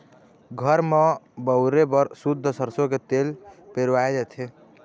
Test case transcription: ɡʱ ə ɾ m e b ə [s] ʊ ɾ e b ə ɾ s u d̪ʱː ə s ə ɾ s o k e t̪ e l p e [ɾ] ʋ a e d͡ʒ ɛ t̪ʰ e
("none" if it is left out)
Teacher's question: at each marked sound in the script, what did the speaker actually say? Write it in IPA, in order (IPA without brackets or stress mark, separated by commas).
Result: none, ɾ